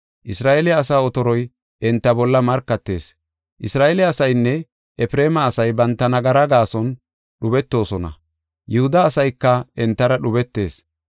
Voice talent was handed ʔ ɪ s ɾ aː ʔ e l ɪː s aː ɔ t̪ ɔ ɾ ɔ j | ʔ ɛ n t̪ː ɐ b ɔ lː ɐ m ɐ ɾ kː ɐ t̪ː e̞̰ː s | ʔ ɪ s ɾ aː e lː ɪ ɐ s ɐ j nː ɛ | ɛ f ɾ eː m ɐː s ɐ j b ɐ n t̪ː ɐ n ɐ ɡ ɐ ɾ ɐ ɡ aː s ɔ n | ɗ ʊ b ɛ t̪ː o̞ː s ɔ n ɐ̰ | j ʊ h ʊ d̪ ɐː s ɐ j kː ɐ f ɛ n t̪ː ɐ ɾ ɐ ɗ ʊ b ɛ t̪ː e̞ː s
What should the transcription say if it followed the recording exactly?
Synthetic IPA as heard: ʔ ɪ s ɾ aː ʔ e l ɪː s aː ɔ t̪ ɔ ɾ ɔ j | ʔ ɛ n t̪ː ɐ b ɔ lː ɐ m ɐ ɾ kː ɐ t̪ː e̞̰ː s | ʔ ɪ s ɾ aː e l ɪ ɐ s ɐ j nː ɛ | ɛ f ɾ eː m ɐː s ɐ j b ɐ n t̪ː ɐ n ɐ ɡ ɐ ɾ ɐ ɡ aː s ɔ n | ɗ ʊ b ɛ t̪ː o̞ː s ɔ n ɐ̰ | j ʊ h ʊ d̪ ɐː s ɐ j kː ɐ ɛ n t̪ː ɐ ɾ ɐ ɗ ʊ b ɛ t̪ː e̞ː s